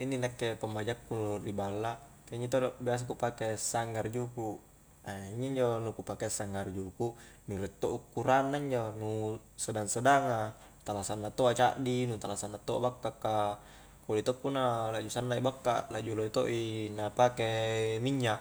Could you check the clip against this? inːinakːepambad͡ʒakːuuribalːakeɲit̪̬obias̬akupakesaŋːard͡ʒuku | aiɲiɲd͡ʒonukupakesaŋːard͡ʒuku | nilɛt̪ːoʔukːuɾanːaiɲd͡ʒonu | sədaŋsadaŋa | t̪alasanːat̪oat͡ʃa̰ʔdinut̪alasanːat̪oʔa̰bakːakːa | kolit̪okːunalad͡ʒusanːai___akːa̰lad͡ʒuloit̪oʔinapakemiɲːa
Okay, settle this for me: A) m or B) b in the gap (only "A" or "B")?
B